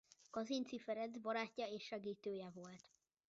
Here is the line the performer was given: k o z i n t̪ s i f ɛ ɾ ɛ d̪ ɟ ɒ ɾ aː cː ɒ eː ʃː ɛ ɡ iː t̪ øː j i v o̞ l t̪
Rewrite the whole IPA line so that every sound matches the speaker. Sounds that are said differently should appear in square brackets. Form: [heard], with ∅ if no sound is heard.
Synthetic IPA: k [ɒ] z i n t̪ s i f ɛ ɾ ɛ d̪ [b] ɒ ɾ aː cː ɒ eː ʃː ɛ ɡ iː t̪ øː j [ɛ] v o̞ l t̪